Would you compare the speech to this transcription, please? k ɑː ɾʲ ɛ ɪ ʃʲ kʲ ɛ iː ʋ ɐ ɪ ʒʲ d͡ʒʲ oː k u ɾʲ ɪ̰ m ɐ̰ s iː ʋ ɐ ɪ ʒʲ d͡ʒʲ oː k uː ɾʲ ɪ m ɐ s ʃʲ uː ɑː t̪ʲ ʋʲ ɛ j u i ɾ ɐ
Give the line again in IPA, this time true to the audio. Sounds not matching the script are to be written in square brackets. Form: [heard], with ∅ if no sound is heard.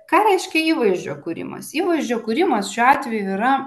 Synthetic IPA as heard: k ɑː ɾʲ ɛ ɪ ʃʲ kʲ ɛ iː ʋ ɐ ɪ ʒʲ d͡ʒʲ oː k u ɾʲ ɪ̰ m ɐ̰ s iː ʋ ɐ ɪ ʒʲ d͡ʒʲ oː k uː ɾʲ ɪ m ɐ s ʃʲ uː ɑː t̪ʲ ʋʲ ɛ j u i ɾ ɐ